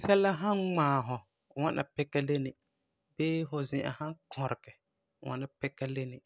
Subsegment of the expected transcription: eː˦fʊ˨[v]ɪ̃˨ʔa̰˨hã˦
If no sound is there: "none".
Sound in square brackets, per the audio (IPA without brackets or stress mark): z